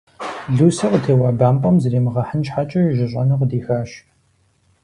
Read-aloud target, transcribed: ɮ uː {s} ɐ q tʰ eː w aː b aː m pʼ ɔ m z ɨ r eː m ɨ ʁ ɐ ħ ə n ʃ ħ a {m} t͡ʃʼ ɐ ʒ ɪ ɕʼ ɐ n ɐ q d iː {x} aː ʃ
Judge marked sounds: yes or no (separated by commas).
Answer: yes, no, yes